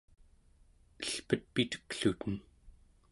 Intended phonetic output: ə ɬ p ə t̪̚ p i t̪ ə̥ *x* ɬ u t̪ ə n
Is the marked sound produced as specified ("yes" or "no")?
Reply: no